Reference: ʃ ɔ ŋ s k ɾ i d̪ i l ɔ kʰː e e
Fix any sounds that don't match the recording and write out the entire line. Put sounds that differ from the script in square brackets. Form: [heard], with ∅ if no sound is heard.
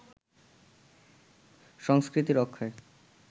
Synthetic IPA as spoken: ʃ ɔ ŋ s k ɾ i [t̪] i [ɾ] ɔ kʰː [a] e